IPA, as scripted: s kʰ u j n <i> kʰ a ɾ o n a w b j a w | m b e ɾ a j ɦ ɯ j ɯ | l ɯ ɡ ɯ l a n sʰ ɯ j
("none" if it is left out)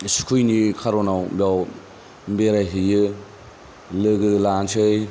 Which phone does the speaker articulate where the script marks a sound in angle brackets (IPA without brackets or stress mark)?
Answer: i